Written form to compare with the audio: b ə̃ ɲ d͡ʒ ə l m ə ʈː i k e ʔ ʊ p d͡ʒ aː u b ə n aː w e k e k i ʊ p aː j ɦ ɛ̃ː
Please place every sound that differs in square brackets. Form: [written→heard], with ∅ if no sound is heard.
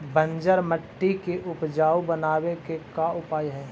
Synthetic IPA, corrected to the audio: b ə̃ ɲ d͡ʒ ə [l→ɾ] m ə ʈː i k e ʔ ʊ p d͡ʒ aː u b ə n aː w e k e k [i→a] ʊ p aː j ɦ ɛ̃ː